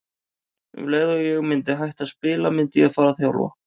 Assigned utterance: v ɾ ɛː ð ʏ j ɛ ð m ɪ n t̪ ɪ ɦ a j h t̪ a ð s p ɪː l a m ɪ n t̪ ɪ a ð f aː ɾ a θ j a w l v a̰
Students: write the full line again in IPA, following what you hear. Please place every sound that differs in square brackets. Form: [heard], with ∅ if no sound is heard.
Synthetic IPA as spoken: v [l] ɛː ð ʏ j ɛ [ɣ] m ɪ n t̪ ɪ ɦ a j h t̪ a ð s p ɪː l a m ɪ n t̪ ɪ a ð f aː ɾ a θ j a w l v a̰